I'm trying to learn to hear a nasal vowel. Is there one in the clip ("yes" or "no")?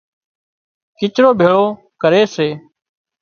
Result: no